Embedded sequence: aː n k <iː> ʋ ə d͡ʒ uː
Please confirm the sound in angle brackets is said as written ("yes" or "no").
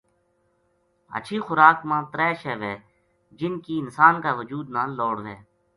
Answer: no